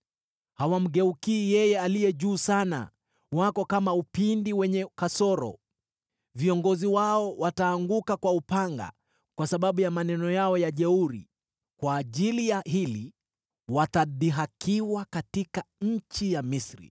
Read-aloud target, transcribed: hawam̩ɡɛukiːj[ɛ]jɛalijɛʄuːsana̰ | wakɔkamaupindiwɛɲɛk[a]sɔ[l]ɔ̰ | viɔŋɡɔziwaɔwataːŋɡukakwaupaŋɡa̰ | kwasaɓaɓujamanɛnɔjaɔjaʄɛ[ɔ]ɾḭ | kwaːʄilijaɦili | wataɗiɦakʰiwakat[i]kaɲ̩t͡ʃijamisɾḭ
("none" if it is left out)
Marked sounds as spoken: ɛ, a, ɾ, u, i

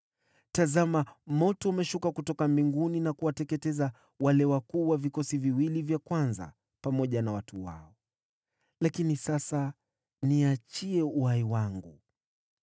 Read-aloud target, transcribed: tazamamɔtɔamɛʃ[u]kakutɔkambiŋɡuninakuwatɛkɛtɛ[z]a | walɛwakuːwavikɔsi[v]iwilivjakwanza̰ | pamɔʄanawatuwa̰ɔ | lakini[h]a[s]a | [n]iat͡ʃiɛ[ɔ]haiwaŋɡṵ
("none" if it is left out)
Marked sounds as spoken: u, z, v, s, s, n, u

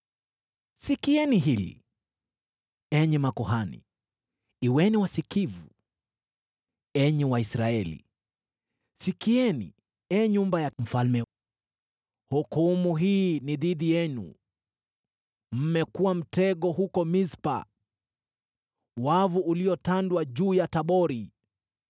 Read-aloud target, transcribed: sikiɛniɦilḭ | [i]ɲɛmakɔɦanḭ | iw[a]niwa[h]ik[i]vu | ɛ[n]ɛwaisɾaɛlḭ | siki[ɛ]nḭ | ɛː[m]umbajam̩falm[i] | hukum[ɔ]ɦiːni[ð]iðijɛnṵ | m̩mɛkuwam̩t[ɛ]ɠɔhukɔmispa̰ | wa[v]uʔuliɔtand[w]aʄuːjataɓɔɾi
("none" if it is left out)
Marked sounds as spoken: ɛ, ɛ, s, i, ɲ, ɛ, ɲ, ɛ, u, ð, ɛ, v, w

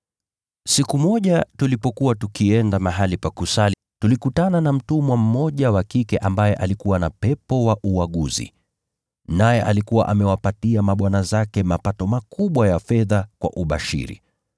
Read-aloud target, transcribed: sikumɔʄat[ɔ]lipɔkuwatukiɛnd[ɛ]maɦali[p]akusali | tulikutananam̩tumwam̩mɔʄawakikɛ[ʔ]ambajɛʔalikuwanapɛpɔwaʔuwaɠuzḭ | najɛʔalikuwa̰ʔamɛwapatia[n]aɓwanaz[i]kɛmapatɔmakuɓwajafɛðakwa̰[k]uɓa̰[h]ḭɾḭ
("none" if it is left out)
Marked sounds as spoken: u, a, p, ʔ, m, a, ʔ, ʃ

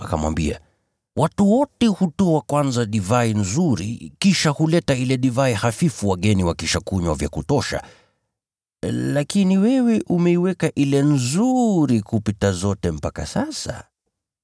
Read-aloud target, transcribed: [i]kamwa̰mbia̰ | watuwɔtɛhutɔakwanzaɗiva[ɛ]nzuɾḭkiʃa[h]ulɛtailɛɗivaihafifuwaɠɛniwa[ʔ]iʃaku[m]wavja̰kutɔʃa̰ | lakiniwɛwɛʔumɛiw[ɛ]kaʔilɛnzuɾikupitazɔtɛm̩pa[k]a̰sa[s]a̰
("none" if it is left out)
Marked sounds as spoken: a, i, h, k, ɲ, ɛ, k, s

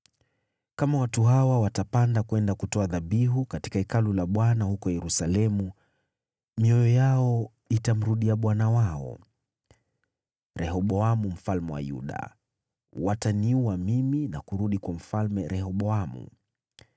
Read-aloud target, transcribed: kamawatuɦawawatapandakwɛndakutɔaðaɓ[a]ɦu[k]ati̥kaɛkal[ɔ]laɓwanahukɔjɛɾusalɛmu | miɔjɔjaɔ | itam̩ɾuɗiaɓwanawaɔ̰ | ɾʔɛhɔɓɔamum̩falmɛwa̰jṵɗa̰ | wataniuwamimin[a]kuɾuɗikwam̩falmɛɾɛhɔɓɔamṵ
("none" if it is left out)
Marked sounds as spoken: i, k, u, a

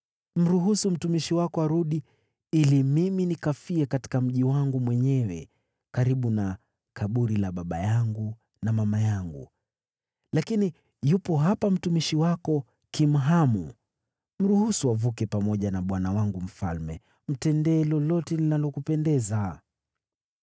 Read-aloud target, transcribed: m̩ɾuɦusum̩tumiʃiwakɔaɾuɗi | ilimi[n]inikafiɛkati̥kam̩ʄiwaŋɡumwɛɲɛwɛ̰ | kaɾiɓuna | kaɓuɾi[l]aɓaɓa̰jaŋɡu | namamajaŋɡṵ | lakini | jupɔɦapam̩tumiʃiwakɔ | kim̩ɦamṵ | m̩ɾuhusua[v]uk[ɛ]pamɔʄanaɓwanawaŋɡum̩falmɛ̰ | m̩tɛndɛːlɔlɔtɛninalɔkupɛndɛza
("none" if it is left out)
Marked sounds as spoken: m, l, v, ɛ

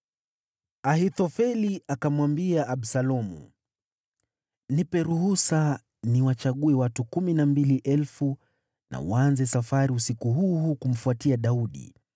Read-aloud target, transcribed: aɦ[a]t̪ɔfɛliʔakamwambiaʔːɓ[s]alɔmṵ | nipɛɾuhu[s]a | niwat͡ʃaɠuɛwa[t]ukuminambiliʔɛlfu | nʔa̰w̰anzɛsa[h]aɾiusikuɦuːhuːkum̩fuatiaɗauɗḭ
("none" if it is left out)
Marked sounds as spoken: i, s, s, t, f

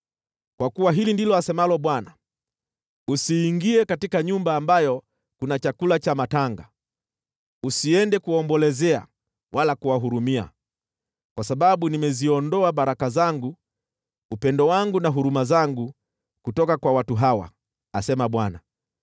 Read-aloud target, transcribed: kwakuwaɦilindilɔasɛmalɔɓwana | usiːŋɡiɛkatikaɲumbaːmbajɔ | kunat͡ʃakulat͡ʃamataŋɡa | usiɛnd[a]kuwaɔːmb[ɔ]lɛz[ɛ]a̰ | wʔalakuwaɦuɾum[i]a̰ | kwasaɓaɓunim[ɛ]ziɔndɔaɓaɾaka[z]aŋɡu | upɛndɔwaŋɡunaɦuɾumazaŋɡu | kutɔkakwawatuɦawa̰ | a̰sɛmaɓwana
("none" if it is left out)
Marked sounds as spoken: ɛ, ɔ, ɛ, i, ɛ, z

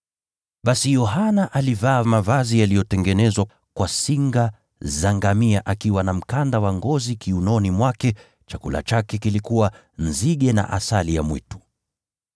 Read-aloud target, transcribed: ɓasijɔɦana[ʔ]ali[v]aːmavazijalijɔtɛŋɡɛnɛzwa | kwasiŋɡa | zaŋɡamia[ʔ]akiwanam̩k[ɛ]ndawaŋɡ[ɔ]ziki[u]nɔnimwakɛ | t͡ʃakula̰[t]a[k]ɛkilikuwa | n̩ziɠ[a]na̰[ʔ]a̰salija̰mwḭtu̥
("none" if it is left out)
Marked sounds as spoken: ʔ, v, ʔ, a, ɔ, u, t͡ʃ, k, ɛ, ʔ

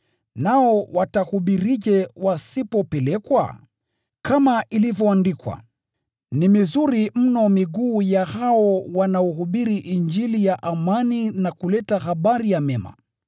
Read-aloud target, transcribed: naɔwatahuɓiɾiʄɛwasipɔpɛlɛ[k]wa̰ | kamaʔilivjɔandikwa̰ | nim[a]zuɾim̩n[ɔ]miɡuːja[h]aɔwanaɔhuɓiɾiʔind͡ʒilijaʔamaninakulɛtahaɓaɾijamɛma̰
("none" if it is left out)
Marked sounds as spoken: k, i, ɔ, h

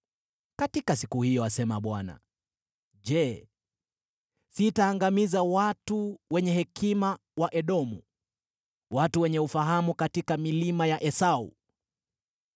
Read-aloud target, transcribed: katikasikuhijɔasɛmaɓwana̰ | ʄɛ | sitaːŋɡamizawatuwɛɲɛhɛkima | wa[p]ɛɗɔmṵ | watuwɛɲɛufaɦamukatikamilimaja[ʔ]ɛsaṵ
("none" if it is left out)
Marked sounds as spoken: ʔ, ʔ

